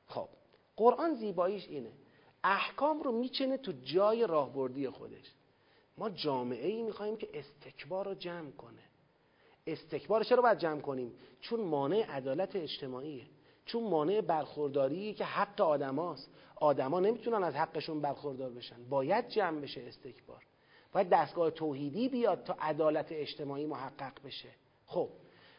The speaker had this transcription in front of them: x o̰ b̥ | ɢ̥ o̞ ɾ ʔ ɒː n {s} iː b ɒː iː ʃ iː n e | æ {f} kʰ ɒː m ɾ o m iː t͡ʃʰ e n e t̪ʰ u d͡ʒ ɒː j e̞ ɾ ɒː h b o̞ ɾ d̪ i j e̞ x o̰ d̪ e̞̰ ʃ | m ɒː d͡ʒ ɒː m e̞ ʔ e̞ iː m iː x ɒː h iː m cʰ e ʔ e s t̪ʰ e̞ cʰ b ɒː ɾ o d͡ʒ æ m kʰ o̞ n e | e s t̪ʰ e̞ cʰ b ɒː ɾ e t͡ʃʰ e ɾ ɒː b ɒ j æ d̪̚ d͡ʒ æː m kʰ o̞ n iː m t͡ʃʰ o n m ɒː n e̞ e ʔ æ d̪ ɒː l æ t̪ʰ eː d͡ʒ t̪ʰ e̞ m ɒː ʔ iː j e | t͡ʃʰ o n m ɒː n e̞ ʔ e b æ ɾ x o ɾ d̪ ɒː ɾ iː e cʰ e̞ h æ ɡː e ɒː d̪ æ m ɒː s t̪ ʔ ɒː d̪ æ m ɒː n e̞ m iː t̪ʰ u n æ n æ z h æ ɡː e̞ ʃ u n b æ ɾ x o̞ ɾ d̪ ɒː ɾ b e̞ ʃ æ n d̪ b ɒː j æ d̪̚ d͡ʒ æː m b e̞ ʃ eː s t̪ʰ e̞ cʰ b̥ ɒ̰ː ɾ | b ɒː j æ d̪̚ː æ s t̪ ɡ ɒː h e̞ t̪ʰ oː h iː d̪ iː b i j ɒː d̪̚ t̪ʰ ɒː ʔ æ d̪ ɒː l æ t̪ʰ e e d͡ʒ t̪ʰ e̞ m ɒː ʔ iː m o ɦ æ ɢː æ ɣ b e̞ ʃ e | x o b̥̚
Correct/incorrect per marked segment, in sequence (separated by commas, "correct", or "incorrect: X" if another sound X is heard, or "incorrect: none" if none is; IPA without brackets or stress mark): incorrect: z, incorrect: h